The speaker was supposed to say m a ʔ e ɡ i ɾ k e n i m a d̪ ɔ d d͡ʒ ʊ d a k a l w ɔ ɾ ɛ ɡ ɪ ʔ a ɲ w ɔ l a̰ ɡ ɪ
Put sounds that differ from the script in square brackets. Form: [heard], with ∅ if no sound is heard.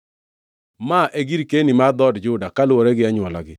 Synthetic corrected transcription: m a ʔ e ɡ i ɾ k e n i m a d̪ ɔ d d͡ʒ ʊ d a k a l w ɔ ɾ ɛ ɡ ɪ [∅] a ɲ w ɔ l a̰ ɡ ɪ